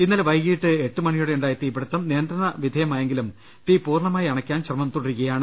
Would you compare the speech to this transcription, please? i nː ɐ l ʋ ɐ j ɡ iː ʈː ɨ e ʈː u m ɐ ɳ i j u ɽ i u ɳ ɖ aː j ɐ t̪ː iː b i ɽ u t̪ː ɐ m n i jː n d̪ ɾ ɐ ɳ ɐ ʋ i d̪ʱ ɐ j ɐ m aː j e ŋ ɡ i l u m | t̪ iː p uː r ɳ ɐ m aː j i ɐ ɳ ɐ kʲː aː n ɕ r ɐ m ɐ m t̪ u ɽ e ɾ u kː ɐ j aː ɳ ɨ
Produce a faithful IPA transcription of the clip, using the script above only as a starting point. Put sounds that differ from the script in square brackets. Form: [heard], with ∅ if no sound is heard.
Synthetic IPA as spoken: i nː ɐ l ʋ ɐ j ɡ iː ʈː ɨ e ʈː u m ɐ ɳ i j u ɽ [e] u ɳ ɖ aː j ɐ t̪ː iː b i ɽ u t̪ː ɐ m n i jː n d̪ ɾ ɐ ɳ ɐ ʋ i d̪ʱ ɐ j ɐ m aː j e ŋ ɡ i l u m | t̪ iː p uː r ɳ ɐ m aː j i ɐ ɳ ɐ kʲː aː n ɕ r ɐ m ɐ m t̪ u ɽ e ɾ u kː ɐ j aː ɳ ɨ